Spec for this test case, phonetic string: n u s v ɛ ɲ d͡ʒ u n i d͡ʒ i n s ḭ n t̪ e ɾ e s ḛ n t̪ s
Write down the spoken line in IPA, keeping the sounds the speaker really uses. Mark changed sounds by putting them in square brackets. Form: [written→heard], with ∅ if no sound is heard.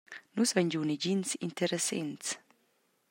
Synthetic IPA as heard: n u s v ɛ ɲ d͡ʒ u n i d͡ʒ i n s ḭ n t̪ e ɾ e s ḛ n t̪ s